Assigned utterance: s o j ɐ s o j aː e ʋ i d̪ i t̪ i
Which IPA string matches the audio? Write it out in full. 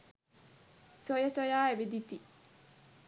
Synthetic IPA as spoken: s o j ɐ s o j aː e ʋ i d̪ i t̪ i